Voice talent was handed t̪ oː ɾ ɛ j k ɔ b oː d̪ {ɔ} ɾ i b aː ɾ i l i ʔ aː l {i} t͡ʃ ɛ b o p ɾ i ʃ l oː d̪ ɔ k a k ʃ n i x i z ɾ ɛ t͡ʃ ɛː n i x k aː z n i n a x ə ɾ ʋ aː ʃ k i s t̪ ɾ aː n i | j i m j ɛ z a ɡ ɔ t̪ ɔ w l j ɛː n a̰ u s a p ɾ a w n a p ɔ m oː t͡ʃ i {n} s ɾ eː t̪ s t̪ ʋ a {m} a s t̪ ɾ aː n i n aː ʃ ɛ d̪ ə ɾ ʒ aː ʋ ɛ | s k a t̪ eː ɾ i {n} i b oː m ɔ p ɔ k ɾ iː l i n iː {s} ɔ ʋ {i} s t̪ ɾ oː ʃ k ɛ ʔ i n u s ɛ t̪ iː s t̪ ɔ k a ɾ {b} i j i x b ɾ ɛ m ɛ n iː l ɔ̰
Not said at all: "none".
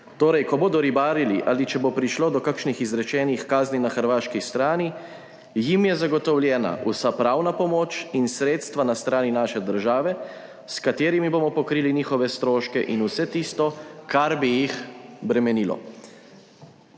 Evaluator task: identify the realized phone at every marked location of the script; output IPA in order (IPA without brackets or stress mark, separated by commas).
ɔ, i, n, n, m, x, ɛ, b